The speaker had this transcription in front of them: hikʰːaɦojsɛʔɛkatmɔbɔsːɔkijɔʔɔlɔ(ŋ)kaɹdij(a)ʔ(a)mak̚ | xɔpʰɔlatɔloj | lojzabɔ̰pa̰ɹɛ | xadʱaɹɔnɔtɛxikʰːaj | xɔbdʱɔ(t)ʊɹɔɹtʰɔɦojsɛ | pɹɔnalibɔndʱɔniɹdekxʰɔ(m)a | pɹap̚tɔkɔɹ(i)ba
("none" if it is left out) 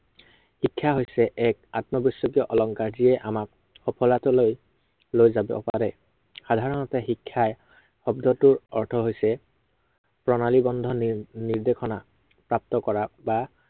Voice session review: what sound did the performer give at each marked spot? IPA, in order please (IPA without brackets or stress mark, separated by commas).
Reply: ŋ, ɛ, a, t, n, a